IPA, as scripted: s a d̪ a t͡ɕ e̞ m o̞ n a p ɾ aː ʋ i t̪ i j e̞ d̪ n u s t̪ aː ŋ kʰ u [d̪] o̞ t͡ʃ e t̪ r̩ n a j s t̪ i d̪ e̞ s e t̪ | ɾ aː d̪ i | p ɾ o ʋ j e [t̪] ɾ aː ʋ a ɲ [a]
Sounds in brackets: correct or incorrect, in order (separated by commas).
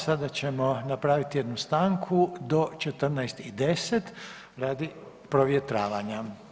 correct, correct, correct